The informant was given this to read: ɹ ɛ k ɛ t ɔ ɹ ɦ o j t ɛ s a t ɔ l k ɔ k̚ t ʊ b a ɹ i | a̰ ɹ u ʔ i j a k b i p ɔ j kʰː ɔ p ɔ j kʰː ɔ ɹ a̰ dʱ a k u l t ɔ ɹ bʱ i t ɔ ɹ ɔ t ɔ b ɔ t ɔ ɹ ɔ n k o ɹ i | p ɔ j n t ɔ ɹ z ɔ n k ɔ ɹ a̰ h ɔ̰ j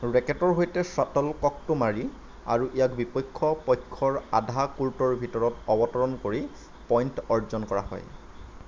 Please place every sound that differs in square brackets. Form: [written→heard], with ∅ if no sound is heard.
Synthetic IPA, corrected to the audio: ɹ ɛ k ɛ t ɔ ɹ ɦ o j t ɛ s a t ɔ l k ɔ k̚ t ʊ [b→m] a ɹ i | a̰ ɹ u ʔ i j a k b i p ɔ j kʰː ɔ p ɔ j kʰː ɔ ɹ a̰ dʱ a k u l t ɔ ɹ bʱ i t ɔ ɹ ɔ t ɔ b ɔ t ɔ ɹ ɔ n k o ɹ i | p ɔ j n t ɔ ɹ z ɔ n k ɔ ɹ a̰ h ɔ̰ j

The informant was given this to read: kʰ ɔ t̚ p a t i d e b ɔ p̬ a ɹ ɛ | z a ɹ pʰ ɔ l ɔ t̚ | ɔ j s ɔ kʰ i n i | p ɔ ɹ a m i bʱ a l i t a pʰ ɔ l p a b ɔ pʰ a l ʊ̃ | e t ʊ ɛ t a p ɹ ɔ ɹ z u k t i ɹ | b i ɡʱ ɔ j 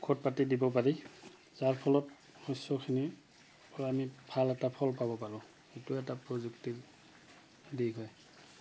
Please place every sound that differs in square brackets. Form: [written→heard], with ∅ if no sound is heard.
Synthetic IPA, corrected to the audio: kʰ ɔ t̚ p a t i d [e→i] b ɔ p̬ a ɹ [ɛ→i] | z a ɹ pʰ ɔ l ɔ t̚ | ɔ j s ɔ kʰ i n i | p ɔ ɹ a m i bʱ a l [i→ɛ] t a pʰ ɔ l p a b ɔ [pʰ→p] a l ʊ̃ | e t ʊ ɛ t a p ɹ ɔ [ɹ→∅] z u k t i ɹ | [b→d] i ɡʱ ɔ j

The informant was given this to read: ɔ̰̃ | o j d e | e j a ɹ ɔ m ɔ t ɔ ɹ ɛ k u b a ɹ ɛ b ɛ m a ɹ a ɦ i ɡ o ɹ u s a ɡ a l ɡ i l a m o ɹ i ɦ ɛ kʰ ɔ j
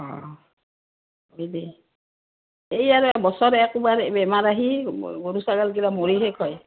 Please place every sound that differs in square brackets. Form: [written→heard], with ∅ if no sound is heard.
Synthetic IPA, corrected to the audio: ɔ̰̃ | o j d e | e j a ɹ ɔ [m→b] ɔ [t→s] ɔ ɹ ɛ k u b a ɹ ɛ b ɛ m a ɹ a ɦ i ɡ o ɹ u s a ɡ a l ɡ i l a m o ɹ i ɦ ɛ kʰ ɔ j

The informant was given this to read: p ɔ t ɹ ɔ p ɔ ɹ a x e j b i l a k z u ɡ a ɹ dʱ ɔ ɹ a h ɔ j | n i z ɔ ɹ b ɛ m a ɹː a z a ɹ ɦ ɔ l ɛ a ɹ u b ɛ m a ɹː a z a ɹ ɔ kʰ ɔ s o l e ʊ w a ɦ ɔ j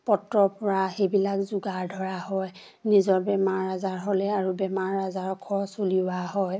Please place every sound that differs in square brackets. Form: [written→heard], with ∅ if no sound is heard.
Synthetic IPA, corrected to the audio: p ɔ t ɹ ɔ p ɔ ɹ a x e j b i l a k z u ɡ a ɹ dʱ ɔ ɹ a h ɔ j | n i z ɔ ɹ b ɛ m a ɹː a z a ɹ ɦ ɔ l ɛ a ɹ u b ɛ m a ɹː a z a ɹ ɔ kʰ ɔ s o l [e→i] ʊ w a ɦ ɔ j

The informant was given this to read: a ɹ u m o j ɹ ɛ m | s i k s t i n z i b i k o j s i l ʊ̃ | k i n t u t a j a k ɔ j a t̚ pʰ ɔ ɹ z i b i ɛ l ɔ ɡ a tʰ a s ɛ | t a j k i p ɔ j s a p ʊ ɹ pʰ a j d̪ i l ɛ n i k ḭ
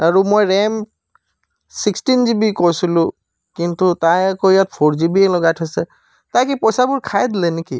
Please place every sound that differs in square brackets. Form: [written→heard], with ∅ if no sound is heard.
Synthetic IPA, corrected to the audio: a ɹ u m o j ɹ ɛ m | s i k s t i n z i b i k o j s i l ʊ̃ | k i n t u t a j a k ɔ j a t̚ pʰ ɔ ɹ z i b i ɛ l ɔ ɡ a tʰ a s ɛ | t a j k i p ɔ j s a [p→b] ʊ ɹ [pʰ→kʰ] a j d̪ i l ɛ n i k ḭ

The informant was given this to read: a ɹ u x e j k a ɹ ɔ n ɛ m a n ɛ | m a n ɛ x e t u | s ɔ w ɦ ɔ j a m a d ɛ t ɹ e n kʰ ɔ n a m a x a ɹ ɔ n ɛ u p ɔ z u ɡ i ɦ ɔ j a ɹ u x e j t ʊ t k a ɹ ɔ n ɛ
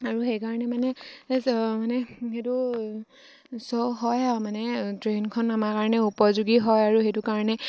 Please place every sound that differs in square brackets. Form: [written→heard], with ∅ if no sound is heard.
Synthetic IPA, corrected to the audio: a ɹ u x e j k a ɹ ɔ n ɛ m a n ɛ | m a n ɛ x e t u | s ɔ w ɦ ɔ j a m a [d→n] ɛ t ɹ e n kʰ ɔ n a m a [x→k] a ɹ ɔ n ɛ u p ɔ z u ɡ i ɦ ɔ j a ɹ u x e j t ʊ [t→∅] k a ɹ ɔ n ɛ

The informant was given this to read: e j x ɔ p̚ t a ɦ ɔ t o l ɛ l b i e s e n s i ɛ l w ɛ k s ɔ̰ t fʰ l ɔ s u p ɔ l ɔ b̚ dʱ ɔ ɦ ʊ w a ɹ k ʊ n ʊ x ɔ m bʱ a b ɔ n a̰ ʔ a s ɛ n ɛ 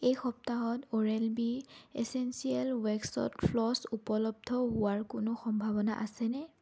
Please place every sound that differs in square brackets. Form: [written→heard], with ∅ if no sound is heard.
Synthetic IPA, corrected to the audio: e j x ɔ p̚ t a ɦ ɔ t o [l→ɹ] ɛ l b i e s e n s i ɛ l w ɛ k s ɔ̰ t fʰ l ɔ s u p ɔ l ɔ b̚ dʱ ɔ ɦ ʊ w a ɹ k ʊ n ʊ x ɔ m bʱ a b ɔ n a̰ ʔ a s ɛ n ɛ

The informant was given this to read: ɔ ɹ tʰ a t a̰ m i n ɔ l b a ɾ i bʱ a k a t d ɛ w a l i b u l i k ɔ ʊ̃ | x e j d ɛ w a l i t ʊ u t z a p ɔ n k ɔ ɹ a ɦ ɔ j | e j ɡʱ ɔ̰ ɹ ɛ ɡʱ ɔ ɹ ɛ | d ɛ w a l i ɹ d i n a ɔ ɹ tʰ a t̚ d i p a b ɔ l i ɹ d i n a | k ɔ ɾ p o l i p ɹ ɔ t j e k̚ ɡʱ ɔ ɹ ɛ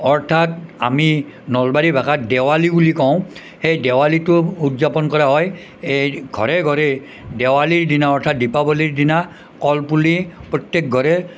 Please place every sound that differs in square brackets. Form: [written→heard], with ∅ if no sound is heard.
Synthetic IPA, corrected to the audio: ɔ ɹ tʰ a t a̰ m i n ɔ l b a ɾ i bʱ a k a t d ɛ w a l i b u l i k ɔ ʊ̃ | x e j d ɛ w a l i t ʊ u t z a p ɔ n k ɔ ɹ a ɦ ɔ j | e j ɡʱ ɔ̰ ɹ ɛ ɡʱ ɔ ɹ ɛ | d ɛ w a l i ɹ d i n a ɔ ɹ tʰ a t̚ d i p a b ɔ l i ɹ d i n a | k ɔ [ɾ→l] p [o→u] l i p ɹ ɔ t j e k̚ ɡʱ ɔ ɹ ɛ

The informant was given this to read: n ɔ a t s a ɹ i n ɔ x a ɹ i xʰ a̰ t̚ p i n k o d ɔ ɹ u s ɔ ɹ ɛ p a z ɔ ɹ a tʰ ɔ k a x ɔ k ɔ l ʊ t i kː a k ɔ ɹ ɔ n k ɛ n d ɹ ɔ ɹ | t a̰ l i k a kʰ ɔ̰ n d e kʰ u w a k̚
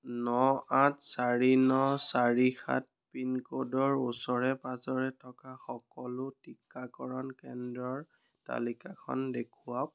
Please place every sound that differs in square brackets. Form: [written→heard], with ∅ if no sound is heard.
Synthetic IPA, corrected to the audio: n ɔ a t s a ɹ i n ɔ [x→s] a ɹ i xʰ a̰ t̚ p i n k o d ɔ ɹ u s ɔ ɹ ɛ p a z ɔ ɹ [a→ɛ] tʰ ɔ k a x ɔ k ɔ l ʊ t i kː a k ɔ ɹ ɔ n k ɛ n d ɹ ɔ ɹ | t a̰ l i k a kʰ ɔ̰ n d e kʰ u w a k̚

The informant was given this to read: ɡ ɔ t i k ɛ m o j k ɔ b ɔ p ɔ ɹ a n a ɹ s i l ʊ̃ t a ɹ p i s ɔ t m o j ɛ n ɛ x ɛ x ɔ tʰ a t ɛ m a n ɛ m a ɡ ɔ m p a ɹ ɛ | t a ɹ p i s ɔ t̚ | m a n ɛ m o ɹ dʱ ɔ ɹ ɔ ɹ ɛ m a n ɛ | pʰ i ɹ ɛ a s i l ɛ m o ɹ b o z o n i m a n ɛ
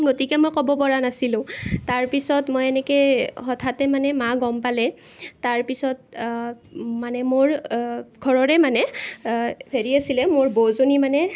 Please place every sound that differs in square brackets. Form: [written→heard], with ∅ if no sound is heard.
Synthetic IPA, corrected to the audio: ɡ [ɔ→o] t i k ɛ m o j k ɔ b ɔ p ɔ ɹ a n a [ɹ→∅] s i l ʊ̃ t a ɹ p i s ɔ t m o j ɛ n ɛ [x→k] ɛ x ɔ tʰ a t ɛ m a n ɛ m a ɡ ɔ m p a [ɹ→l] ɛ | t a ɹ p i s ɔ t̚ | m a n ɛ m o ɹ [dʱ→ɡʱ] ɔ ɹ ɔ ɹ ɛ m a n ɛ | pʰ [i→e] ɹ [ɛ→i] a s i l ɛ m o ɹ b o z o n i m a n ɛ

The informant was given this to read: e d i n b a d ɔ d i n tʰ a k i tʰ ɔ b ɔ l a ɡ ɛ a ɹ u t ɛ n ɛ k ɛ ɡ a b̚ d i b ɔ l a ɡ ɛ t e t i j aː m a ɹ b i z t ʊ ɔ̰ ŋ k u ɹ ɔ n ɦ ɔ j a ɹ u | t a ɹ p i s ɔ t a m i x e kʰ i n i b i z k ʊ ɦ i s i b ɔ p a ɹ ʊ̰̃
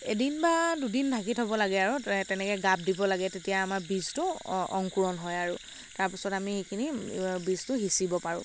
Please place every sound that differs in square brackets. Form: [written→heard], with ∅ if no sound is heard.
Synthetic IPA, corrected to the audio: e d i n b a d [ɔ→u] d i n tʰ a k i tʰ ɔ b ɔ l a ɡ ɛ a ɹ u t ɛ n ɛ k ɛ ɡ a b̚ d i b ɔ l a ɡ ɛ t e t i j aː m a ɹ b i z t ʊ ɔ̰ ŋ k u ɹ ɔ n ɦ ɔ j a ɹ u | t a ɹ p i s ɔ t a m i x e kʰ i n i b i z [k→t] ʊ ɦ i s i b ɔ p a ɹ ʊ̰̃

